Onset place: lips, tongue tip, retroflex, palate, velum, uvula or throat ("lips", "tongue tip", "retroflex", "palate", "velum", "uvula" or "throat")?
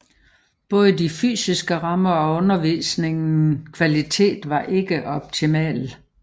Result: lips